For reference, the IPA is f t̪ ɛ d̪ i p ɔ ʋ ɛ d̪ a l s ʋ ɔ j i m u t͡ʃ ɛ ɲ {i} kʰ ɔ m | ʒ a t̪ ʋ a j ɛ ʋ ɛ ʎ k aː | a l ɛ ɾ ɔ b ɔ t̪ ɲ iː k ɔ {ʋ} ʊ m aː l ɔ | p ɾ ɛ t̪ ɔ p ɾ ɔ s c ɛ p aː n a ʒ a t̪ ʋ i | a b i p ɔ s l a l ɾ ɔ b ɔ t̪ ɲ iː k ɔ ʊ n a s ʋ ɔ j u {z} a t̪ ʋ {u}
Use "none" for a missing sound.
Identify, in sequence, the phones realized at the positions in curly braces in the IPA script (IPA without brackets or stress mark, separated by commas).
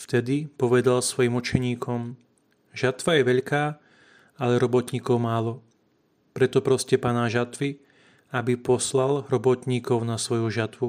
iː, none, ʒ, u